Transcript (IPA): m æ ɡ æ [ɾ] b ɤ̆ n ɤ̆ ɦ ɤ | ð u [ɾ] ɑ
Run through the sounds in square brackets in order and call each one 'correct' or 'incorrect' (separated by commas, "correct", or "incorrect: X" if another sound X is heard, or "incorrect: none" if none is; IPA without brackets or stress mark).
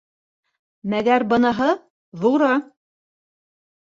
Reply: correct, correct